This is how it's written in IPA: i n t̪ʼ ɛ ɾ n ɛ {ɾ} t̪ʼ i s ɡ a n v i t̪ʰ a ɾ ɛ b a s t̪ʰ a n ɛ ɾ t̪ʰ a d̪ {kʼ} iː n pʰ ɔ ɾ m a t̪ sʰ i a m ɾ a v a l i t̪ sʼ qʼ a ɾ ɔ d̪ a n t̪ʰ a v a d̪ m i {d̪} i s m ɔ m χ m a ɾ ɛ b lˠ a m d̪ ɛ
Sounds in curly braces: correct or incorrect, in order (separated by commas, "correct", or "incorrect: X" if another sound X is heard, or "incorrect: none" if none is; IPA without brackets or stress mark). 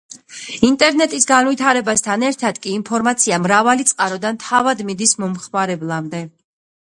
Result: incorrect: none, correct, correct